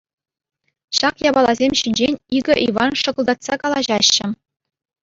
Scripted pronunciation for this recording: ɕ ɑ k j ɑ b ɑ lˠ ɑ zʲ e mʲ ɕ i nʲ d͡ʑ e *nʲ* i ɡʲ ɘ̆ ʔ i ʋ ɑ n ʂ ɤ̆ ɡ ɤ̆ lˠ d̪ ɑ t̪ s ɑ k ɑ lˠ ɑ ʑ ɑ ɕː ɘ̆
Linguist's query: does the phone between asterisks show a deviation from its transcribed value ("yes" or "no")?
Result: no